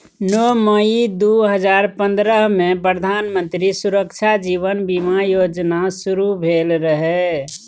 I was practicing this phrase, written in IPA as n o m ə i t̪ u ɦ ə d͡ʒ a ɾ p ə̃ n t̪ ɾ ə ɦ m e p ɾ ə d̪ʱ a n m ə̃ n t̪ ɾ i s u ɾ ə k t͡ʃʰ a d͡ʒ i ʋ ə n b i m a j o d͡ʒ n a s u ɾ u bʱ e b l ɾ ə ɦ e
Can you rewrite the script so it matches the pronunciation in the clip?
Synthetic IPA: n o m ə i d̪ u ɦ ə d͡ʒ a ɾ p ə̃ n d̪ ɾ ə ɦ m e p ɾ ə d̪ʱ a n m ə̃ n t̪ ɾ i s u ɾ ə k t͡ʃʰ a d͡ʒ i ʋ ə n b i m a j o d͡ʒ n a s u ɾ u bʱ e l ɾ ə ɦ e